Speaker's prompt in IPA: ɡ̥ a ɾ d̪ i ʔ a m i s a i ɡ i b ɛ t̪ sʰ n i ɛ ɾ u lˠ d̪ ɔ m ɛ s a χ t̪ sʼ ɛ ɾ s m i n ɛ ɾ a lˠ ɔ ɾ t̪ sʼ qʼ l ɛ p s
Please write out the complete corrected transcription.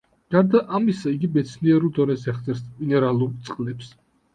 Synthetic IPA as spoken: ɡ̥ a ɾ d̪ a ʔ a m i s a i ɡ i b ɛ t̪ sʰ n i ɛ ɾ u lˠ d̪ ɔ n ɛ s ɛ χ t̪ sʼ ɛ ɾ s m i n ɛ ɾ a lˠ u ɾ t̪ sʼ qʼ l ɛ p s